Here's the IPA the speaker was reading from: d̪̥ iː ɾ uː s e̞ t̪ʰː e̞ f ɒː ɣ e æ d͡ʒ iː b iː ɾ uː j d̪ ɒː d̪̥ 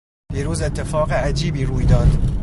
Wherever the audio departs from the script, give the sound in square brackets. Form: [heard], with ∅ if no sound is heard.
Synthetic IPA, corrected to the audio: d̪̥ iː ɾ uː [z] e̞ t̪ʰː e̞ f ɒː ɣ e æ d͡ʒ iː b iː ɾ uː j d̪ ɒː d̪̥

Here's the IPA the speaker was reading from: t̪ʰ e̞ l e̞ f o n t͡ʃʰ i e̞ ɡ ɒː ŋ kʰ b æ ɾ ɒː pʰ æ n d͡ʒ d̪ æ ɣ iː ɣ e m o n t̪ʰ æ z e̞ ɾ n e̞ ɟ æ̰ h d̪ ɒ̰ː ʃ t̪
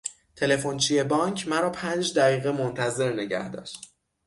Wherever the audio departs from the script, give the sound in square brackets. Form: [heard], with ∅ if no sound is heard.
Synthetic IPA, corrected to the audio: t̪ʰ e̞ l e̞ f o n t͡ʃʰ i e̞ [b] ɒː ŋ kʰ [m] æ ɾ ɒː pʰ æ n d͡ʒ d̪ æ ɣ iː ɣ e m o n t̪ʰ æ z e̞ ɾ n e̞ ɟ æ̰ h d̪ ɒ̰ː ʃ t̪

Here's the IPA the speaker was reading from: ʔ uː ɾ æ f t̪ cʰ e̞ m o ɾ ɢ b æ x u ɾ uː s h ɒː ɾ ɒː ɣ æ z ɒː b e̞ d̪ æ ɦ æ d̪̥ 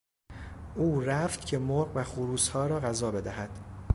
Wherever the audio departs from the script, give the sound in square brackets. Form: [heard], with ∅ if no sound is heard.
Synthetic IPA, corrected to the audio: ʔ uː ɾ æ f t̪ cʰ e̞ m o ɾ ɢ [v] æ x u ɾ uː s h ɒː ɾ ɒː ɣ æ z ɒː b e̞ d̪ æ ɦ æ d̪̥

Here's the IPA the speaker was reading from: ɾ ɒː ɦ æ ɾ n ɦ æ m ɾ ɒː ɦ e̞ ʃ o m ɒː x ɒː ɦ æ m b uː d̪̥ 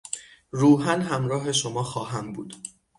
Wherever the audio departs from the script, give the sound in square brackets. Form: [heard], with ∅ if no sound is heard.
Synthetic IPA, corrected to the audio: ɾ [uː] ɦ æ [∅] n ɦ æ m ɾ ɒː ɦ e̞ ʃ o m ɒː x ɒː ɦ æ m b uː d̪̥

